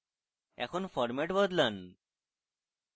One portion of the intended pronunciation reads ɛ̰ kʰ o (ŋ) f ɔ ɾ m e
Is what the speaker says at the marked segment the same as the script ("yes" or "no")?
no